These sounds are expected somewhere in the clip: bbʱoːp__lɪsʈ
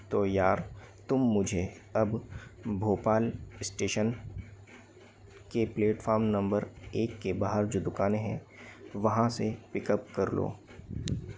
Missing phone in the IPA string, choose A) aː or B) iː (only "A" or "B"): A